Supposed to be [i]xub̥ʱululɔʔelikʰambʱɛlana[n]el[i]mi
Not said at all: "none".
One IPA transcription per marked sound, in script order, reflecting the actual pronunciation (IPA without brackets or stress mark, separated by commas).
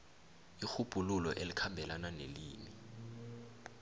i, n, iː